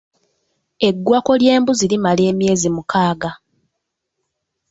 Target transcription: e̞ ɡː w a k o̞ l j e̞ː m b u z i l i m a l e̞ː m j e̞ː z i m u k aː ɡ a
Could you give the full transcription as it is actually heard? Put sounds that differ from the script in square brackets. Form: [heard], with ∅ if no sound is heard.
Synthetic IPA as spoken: e̞ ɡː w a k o̞ l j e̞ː m b u z i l i m a l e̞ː m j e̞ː z i m u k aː ɡ a